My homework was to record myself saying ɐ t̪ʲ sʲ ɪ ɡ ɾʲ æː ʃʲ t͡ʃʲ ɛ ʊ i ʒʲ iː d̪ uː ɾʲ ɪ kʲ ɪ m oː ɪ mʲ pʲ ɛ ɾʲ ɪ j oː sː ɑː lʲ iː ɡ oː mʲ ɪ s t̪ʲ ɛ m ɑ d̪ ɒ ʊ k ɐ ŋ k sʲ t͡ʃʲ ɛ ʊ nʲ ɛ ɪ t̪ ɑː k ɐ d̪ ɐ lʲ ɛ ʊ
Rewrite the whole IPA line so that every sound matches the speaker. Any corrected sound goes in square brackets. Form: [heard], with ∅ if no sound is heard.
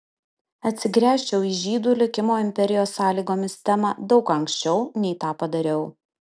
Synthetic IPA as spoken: ɐ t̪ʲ sʲ ɪ ɡ ɾʲ æː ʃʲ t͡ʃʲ ɛ ʊ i ʒʲ iː d̪ uː [lʲ] ɪ kʲ ɪ m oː ɪ mʲ pʲ ɛ ɾʲ ɪ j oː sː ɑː lʲ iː ɡ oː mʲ ɪ s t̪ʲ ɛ m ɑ d̪ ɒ ʊ k ɐ ŋ k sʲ t͡ʃʲ ɛ ʊ nʲ ɛ ɪ t̪ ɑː [p] ɐ d̪ ɐ [ɾʲ] ɛ ʊ